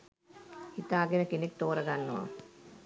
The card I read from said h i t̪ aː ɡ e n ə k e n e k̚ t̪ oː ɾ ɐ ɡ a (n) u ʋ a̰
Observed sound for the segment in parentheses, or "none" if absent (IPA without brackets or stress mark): nː